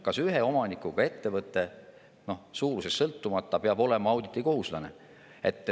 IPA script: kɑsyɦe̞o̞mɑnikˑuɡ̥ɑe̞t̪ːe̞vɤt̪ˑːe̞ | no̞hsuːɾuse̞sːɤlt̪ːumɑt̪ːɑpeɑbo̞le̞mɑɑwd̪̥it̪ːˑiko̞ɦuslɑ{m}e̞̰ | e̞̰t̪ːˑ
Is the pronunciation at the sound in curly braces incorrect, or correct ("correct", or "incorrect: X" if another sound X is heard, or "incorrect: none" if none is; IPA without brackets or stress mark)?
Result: incorrect: n